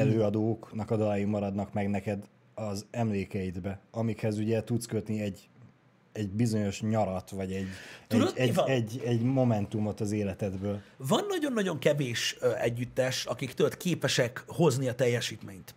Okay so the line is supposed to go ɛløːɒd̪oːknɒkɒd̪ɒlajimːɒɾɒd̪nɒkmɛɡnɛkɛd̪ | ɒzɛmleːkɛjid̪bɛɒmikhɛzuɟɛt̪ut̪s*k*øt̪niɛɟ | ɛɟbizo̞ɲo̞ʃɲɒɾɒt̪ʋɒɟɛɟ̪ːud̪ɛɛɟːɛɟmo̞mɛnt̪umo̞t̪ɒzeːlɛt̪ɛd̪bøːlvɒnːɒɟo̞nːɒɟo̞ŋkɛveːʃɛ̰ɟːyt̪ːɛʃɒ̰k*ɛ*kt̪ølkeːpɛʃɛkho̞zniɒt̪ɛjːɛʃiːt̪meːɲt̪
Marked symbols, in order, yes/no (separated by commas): yes, no